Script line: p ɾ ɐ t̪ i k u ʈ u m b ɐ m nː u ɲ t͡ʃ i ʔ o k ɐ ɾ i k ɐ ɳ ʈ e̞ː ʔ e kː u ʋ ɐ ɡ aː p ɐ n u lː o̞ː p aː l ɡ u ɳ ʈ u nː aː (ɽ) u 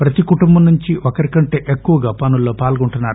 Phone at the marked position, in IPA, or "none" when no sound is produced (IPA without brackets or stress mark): ɾ